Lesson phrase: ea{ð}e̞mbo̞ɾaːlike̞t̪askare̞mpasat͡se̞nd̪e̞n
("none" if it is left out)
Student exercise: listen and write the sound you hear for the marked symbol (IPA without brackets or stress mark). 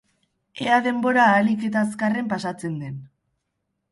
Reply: ð